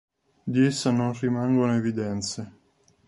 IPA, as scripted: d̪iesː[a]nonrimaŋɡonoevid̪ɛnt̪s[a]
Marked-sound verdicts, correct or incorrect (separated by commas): correct, incorrect